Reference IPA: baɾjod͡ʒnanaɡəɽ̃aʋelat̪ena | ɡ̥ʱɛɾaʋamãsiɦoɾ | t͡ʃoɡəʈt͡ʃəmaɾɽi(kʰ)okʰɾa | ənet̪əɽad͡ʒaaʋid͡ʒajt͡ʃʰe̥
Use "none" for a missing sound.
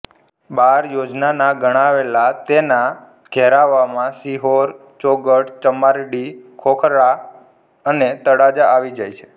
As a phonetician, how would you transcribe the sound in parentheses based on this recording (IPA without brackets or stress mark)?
kʰ